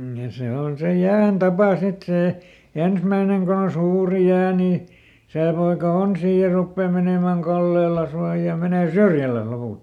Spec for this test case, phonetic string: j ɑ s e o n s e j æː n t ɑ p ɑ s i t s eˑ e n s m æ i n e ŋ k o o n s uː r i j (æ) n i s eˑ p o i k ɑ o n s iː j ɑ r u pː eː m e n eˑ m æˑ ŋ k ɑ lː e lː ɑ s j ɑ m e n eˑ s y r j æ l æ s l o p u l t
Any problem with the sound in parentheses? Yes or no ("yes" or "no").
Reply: yes